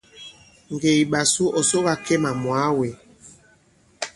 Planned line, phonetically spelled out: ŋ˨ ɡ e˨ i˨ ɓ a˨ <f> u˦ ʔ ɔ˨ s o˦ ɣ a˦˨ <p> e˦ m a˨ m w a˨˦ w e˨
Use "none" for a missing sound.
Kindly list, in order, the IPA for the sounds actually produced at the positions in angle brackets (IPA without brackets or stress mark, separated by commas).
s, k